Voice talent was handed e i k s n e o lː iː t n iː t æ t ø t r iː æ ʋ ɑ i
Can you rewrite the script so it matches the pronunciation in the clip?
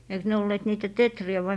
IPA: e i k s n e o lː eː t n iː t æ t e t r i æ ʋ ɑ i